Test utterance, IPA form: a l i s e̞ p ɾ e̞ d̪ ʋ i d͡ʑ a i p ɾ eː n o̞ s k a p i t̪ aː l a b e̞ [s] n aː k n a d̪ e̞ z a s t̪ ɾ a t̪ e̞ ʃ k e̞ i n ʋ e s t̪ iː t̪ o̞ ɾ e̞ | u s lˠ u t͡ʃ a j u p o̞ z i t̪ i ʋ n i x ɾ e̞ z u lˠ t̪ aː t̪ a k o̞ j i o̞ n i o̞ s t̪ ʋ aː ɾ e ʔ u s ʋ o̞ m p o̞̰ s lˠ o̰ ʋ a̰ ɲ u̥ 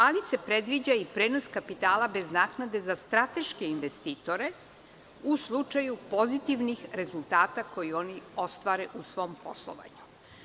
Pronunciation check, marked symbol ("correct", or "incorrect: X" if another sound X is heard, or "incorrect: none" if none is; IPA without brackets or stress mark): incorrect: z